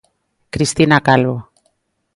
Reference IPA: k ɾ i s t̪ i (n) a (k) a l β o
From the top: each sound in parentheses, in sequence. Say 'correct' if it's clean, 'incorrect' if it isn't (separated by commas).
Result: correct, correct